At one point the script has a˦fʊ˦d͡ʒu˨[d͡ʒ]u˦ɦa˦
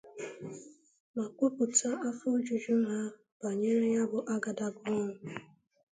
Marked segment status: correct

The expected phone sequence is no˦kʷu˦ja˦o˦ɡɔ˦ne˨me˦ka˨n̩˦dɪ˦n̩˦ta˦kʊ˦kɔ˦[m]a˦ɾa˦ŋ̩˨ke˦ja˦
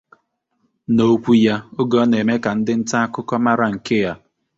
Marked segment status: correct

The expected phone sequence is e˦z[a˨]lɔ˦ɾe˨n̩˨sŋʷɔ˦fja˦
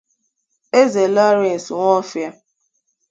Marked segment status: incorrect: e˨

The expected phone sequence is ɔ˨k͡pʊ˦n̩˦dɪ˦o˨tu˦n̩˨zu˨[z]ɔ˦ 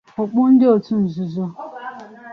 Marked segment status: correct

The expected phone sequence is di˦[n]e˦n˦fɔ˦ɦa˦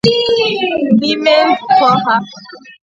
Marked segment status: incorrect: m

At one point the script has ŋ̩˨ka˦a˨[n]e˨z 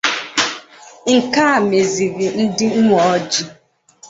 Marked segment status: incorrect: m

